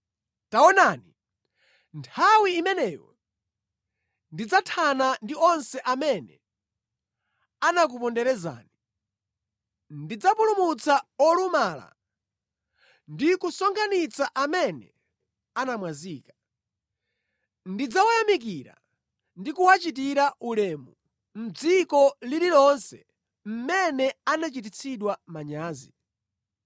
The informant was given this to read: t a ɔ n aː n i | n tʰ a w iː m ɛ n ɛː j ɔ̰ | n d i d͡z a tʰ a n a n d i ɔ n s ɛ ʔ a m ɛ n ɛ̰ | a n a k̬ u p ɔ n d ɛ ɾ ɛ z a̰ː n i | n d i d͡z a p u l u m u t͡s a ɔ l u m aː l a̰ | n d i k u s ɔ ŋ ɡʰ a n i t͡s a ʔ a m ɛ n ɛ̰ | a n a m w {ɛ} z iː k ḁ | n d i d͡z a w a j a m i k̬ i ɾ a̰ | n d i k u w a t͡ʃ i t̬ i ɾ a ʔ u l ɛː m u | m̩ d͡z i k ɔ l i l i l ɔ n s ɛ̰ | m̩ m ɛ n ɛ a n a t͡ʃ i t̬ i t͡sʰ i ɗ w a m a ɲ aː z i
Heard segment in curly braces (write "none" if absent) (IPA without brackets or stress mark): a